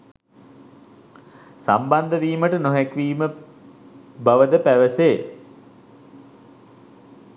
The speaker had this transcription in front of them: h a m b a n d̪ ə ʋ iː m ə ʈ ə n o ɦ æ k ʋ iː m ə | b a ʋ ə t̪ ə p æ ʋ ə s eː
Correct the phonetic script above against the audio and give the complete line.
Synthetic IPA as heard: s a m b a n d̪ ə ʋ iː m ə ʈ ə n o ɦ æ k ʋ iː m ə | b a ʋ ə d̪ ə p æ ʋ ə s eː